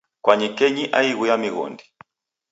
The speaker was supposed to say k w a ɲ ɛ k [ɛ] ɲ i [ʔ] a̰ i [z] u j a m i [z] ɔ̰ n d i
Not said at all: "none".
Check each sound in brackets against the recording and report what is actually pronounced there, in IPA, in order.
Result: ɛ, ʔ, ɣ, ɣ

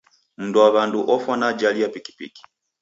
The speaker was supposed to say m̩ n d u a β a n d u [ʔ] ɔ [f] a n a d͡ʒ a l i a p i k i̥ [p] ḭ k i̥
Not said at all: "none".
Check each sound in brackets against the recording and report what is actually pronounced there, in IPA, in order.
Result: ʔ, f, p

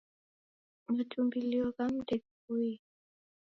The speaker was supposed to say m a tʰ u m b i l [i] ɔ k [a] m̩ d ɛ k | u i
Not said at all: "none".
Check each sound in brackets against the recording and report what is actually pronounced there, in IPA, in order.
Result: i, a

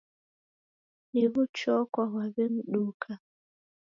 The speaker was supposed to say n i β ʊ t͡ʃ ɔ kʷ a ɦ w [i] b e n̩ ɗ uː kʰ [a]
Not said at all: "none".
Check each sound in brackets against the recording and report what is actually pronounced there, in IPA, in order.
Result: a, a

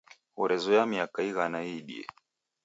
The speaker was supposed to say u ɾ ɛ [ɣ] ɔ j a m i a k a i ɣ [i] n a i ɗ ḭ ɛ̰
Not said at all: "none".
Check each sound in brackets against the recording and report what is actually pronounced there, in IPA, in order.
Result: z, a

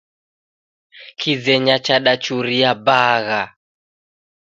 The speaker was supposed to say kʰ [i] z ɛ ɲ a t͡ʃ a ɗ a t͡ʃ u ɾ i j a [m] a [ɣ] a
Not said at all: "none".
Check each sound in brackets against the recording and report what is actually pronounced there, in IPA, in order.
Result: i, b, ɣ

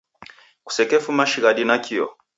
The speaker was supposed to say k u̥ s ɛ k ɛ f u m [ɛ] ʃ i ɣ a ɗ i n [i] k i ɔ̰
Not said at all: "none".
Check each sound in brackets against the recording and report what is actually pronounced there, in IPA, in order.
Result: a, a

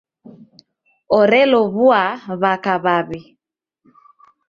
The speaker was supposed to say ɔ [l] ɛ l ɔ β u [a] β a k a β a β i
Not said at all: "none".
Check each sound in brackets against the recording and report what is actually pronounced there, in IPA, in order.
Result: ɾ, a

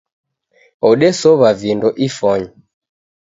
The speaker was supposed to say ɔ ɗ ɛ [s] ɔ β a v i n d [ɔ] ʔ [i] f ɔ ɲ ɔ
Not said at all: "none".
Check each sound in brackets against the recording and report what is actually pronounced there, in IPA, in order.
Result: s, ɔ, i

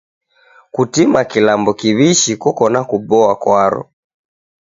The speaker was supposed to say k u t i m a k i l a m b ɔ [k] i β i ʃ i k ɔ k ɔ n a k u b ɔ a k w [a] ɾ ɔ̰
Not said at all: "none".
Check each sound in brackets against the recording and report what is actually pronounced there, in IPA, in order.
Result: k, a

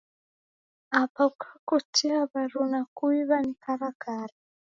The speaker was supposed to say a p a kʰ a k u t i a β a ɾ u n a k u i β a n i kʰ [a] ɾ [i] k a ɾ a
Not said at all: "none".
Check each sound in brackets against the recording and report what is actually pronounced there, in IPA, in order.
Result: a, a

